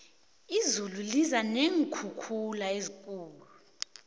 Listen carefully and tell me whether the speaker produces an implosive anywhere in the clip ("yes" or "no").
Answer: no